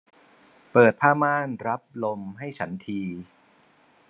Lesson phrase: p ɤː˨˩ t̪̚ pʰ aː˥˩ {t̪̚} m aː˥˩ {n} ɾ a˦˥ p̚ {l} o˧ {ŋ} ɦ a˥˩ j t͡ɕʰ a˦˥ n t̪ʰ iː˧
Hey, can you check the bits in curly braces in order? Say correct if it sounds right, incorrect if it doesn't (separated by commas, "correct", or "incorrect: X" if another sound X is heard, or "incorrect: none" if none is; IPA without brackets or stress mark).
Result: incorrect: none, correct, correct, incorrect: m